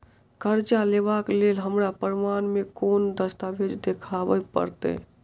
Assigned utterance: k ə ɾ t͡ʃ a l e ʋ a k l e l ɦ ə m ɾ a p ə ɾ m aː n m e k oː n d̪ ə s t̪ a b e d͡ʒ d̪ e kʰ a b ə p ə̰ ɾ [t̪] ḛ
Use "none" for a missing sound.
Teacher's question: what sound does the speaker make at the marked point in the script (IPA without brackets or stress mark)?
t̪